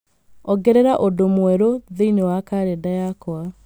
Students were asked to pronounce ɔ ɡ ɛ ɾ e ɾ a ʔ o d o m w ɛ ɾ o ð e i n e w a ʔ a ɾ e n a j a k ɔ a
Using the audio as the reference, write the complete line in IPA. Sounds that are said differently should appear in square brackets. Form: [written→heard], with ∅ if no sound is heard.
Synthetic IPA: ɔ ɡ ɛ ɾ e ɾ a ʔ o d o m w ɛ ɾ o ð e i n e w a [ʔ→k] a ɾ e [n→d] a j a k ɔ a